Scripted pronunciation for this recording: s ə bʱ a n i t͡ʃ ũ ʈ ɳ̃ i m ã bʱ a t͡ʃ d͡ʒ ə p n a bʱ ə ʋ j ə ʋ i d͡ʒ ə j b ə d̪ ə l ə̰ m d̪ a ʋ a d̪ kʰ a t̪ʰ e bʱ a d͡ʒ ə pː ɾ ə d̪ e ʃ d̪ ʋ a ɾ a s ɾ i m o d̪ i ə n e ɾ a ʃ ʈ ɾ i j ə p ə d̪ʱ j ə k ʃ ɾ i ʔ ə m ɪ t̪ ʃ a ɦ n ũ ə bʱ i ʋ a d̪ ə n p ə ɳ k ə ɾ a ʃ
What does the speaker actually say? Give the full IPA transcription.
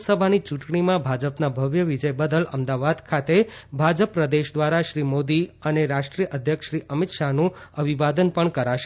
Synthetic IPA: s ə bʱ a n i t͡ʃ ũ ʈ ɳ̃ i m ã bʱ a d͡ʒ ə p n a bʱ ə ʋ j ə ʋ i d͡ʒ ə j b ə d̪ ə l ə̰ m d̪ a ʋ a d̪ kʰ a t̪ e bʱ a d͡ʒ ə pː ɾ ə d̪ e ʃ d̪ ʋ a ɾ a ʃ ɾ i m o d̪ i ə n e ɾ a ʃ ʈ ɾ i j ə ʔ ə d̪ʱ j ə k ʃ ɾ i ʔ ə m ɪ t̪ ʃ a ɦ n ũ ə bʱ i ʋ a d̪ ə n p ə ɳ k ə ɾ a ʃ